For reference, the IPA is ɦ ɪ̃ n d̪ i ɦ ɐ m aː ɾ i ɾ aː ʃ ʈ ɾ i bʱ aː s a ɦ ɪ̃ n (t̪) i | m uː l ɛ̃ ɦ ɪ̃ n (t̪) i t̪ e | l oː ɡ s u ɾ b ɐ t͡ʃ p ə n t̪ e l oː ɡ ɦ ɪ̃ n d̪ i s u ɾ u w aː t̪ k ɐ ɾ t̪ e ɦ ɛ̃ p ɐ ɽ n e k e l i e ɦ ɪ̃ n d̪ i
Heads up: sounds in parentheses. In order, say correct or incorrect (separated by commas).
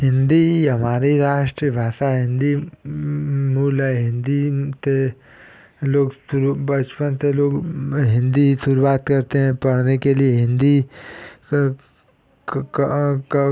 incorrect, incorrect